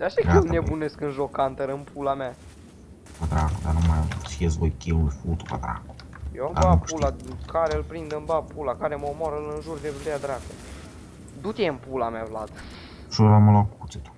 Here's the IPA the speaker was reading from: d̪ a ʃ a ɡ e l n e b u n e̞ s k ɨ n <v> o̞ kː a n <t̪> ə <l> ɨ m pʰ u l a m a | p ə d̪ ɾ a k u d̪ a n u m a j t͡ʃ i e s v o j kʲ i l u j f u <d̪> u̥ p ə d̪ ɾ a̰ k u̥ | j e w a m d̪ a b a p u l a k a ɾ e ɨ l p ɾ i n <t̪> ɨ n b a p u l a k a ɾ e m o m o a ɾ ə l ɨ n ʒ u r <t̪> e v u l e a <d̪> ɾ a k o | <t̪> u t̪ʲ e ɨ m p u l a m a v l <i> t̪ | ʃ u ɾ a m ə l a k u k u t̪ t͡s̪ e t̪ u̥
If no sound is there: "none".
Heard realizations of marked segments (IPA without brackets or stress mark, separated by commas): ʒ, t̪, ɾ, t̪, d̪, d̪, d̪, d̪, a